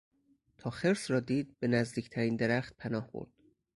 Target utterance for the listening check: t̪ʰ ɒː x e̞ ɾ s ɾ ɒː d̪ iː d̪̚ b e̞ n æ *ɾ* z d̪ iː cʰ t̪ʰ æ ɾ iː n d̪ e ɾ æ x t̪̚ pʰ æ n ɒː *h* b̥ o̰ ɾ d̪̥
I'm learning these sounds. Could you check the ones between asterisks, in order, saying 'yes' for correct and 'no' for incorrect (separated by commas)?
no, yes